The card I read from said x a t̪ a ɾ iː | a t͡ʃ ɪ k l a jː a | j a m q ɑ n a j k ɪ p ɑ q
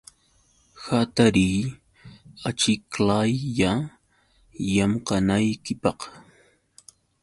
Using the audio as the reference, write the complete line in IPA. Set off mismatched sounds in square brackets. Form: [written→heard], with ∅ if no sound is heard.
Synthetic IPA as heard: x a t̪ a ɾ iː | a t͡ʃ ɪ k l a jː a | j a m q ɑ n a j k ɪ p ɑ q